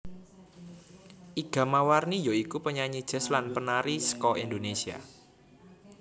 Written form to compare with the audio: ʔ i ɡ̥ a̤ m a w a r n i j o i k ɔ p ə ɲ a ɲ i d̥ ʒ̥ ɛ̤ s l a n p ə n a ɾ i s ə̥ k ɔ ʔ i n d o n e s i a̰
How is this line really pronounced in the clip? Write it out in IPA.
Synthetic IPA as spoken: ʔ i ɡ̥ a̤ m a w a r n i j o i k u p ə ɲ a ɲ i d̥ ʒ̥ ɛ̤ s l a n p ə n a ɾ i s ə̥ k ɔ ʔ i n d o n e s i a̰